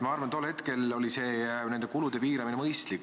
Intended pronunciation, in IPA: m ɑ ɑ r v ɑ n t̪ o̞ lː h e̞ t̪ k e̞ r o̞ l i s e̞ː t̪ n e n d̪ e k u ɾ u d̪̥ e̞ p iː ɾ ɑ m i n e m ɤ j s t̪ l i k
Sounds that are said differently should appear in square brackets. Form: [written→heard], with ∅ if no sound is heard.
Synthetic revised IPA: m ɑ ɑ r v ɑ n t̪ o̞ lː h e̞ t̪ k e̞ [r→l] o̞ l i s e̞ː [t̪→∅] n e n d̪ e k u [ɾ→l] u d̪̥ e̞ p iː ɾ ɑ m i n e m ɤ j s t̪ l i k